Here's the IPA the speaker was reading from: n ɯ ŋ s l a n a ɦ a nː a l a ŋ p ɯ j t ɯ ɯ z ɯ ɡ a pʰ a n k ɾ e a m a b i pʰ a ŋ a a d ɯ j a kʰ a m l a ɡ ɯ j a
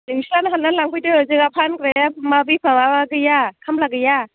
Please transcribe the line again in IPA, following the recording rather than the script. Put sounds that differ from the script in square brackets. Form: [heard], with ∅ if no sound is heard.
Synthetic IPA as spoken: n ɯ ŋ s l a n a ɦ a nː a l a ŋ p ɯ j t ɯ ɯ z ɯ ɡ a pʰ a n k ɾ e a m a b i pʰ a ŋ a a [ɡ] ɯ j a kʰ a m l a ɡ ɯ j a